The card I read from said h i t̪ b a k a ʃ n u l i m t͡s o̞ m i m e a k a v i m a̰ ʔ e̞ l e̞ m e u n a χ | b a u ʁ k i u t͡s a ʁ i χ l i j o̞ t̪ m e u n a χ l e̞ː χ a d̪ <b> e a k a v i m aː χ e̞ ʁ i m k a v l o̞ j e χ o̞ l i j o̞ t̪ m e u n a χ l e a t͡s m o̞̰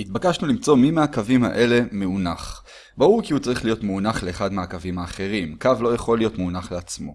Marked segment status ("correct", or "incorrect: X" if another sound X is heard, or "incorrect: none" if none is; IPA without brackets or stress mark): incorrect: m